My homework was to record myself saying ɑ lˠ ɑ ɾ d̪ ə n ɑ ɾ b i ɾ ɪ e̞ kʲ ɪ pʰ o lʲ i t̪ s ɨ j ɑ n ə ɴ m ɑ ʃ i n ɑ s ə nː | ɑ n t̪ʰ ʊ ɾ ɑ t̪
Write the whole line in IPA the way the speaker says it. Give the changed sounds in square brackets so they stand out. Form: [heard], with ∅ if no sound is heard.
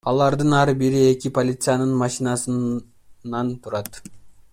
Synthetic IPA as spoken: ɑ lˠ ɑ ɾ d̪ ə n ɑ ɾ b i ɾ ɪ e̞ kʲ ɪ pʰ o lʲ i t̪ s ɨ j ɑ n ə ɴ m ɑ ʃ i n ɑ s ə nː | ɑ n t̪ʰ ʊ ɾ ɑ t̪